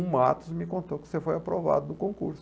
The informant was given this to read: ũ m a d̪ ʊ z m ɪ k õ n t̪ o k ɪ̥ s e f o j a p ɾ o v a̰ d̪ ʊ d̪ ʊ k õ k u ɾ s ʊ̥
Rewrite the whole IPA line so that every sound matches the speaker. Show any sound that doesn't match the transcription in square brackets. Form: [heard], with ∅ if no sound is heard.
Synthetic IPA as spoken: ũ m a [t̪] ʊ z m ɪ k õ n t̪ o k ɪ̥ s e f o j a p ɾ o v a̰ d̪ ʊ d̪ ʊ k õ k u ɾ s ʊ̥